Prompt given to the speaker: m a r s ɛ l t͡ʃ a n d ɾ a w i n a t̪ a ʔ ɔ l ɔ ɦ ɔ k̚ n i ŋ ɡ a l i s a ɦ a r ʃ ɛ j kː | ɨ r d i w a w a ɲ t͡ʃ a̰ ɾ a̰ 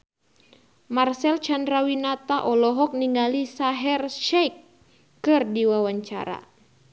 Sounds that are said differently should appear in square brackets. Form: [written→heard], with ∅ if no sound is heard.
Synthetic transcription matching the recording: m a r s ɛ l t͡ʃ a n d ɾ a w i n a t̪ a ʔ ɔ l ɔ ɦ ɔ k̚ n i ŋ ɡ a l i s a ɦ [a→ɛ] r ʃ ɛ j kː | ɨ r d i w a w a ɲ t͡ʃ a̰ ɾ a̰